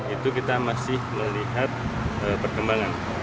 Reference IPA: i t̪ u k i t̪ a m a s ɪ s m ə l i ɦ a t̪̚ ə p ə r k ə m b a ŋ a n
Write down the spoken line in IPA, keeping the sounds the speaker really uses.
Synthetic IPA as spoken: i t̪ u k i t̪ a m a s ɪ h m ə l i ɦ a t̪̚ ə p ə r k ə m b a ŋ a n